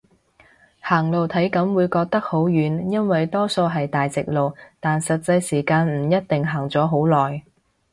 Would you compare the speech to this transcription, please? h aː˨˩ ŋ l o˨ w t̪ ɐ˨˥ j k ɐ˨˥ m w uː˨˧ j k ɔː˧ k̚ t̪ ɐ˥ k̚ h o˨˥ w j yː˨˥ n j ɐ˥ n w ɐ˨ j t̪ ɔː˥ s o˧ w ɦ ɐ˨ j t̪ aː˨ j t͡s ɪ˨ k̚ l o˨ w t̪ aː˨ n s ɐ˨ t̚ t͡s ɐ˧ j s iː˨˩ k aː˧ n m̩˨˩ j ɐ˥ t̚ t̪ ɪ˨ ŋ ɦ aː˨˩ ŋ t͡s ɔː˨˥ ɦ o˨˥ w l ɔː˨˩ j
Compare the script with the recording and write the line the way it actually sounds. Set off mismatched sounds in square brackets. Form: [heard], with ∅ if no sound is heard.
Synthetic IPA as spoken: h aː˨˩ ŋ l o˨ w [t̪ʰ] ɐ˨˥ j k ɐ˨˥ m w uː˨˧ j k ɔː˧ k̚ t̪ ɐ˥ k̚ h o˨˥ w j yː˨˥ n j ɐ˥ n w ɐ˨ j t̪ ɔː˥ s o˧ w ɦ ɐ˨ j t̪ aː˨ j t͡s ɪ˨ k̚ l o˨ w t̪ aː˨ n s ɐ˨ t̚ t͡s ɐ˧ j s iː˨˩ k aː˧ n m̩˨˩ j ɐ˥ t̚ t̪ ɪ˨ ŋ ɦ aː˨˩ ŋ t͡s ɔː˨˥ ɦ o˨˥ w l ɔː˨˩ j